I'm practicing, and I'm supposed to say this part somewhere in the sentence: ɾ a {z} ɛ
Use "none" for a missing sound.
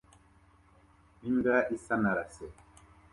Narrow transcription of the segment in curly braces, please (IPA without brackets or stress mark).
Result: s